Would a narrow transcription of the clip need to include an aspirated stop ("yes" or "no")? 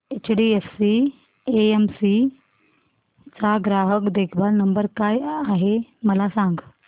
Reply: yes